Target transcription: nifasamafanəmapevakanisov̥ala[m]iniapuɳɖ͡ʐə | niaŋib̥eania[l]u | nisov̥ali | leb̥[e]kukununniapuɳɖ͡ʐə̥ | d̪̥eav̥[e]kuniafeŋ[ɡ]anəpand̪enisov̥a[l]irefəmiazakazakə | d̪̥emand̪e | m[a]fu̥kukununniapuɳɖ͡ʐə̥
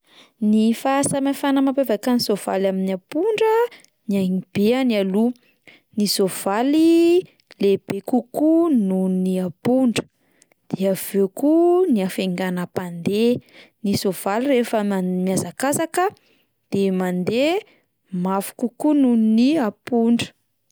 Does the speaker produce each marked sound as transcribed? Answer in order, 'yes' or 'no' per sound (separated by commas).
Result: yes, yes, yes, yes, yes, yes, yes